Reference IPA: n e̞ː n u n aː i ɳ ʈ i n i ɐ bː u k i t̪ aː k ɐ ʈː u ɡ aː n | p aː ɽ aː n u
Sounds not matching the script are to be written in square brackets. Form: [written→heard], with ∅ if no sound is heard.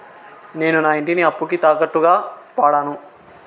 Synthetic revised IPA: n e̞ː n u n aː i ɳ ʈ i n i ɐ [bː→pː] u k i t̪ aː k ɐ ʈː u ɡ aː [n→∅] | p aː ɽ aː n u